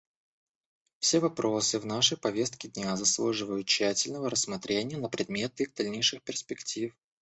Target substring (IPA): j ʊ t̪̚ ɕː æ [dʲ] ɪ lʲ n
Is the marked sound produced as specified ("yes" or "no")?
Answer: no